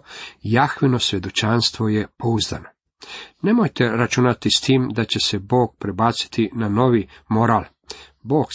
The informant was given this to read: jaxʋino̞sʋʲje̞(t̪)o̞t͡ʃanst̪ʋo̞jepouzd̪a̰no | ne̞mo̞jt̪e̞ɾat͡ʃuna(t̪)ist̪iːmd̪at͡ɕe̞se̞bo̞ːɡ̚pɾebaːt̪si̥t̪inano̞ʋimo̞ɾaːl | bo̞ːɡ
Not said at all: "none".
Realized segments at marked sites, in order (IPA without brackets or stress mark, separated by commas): d̪, t̪